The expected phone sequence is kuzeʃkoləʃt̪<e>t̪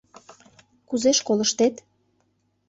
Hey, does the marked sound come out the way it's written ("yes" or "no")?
yes